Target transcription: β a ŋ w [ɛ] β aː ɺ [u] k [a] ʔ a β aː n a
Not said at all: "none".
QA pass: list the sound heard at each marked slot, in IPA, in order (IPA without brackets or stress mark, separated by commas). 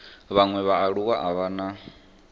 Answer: ɛ, u, a